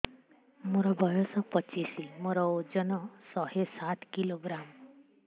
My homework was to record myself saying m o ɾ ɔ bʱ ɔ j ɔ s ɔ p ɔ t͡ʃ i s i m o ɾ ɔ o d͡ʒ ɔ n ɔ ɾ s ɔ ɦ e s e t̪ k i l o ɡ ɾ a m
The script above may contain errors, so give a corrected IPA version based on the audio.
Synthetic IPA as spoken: m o ɾ ɔ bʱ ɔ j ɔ s ɔ p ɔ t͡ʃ i s i m o ɾ ɔ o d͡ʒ ɔ n ɔ s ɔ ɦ e s a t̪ k i l o ɡ ɾ a m